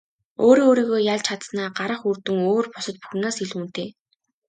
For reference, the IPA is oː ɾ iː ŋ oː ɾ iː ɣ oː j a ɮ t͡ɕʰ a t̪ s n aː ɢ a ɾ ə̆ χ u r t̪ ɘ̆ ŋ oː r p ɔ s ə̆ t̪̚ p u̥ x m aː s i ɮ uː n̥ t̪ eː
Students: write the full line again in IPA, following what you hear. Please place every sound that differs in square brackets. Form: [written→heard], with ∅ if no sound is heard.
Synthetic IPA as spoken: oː ɾ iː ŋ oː ɾ iː ɣ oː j a ɮ t͡ɕʰ a t̪ s n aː ɢ a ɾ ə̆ χ u r t̪ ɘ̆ ŋ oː r p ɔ s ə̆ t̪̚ p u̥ x [m→n] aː s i ɮ uː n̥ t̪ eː